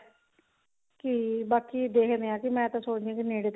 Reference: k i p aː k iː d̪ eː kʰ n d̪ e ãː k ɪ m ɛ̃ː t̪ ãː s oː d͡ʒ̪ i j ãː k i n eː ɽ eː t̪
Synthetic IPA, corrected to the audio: k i b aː k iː d̪ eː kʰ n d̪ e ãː k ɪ m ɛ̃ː t̪ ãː s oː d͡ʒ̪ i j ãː k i n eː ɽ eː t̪